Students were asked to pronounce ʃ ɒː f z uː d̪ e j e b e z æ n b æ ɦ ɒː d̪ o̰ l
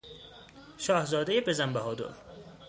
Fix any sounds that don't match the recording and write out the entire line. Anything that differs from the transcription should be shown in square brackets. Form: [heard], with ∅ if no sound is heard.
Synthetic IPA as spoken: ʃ ɒː [h] z [ɒː] d̪ e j e b e z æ [m] b æ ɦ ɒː d̪ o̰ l